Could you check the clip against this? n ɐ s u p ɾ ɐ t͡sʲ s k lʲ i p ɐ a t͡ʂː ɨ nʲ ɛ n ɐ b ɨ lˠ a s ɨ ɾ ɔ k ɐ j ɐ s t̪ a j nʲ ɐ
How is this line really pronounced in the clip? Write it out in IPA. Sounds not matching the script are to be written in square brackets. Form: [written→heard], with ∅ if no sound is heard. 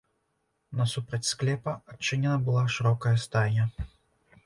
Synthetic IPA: n ɐ s u p ɾ ɐ t͡sʲ s k lʲ [i→ɛ] p ɐ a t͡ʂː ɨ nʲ ɛ n ɐ b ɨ lˠ a [s→ʂ] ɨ ɾ ɔ k ɐ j ɐ s t̪ a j nʲ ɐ